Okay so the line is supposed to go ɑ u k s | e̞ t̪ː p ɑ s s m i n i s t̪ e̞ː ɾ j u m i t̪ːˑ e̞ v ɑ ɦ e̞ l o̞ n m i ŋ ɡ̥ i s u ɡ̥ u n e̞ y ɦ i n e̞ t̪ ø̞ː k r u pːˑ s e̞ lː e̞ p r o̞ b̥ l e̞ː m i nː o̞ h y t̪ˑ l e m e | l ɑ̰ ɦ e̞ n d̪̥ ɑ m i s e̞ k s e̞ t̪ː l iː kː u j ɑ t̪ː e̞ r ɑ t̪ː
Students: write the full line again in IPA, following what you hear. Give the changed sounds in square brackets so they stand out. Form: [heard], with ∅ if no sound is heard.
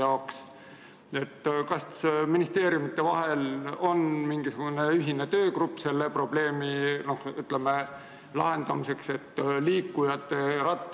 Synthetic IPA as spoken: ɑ [o] k s | e̞ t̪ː [k] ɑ s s m i n i s t̪ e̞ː ɾ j u m i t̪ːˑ e̞ v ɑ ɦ e̞ l o̞ n m i ŋ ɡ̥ i s u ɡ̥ u n e̞ y ɦ i n e̞ t̪ ø̞ː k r u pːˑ s e̞ lː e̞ p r o̞ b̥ l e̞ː m i [n] o̞ h y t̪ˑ l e m e | l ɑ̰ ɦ e̞ n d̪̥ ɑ m i s e̞ k s e̞ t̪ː l iː kː u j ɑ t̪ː e̞ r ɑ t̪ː